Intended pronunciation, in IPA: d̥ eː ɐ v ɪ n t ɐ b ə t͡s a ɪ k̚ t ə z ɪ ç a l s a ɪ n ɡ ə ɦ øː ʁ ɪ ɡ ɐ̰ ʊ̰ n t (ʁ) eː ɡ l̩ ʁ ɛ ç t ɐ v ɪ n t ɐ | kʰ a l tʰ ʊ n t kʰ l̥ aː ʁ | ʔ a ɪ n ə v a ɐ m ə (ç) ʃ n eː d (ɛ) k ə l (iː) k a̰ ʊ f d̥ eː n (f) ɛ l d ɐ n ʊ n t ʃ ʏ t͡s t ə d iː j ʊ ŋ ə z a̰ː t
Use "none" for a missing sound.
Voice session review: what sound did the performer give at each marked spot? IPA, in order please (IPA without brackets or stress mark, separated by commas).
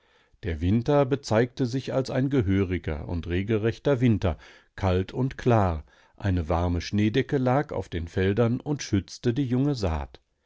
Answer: ʁ, none, ɛ, aː, f